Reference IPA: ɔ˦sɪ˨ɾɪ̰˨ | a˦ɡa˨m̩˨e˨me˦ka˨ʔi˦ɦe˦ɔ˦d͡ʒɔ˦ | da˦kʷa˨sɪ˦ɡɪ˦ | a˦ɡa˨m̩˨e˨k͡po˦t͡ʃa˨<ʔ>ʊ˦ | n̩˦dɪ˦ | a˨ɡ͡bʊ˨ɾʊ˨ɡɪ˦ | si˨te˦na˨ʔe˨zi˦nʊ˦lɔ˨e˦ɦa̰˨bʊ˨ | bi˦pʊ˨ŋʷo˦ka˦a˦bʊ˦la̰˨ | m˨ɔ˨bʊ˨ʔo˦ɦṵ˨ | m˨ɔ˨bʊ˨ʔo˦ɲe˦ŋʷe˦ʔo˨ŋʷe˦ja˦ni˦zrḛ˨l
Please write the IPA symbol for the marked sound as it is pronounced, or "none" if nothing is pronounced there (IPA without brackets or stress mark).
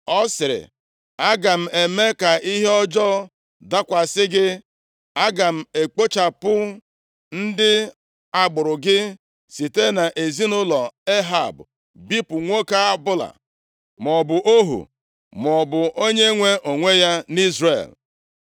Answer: p